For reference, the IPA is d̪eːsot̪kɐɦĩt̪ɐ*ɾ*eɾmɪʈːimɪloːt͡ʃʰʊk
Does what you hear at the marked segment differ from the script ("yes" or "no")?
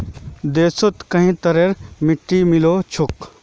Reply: no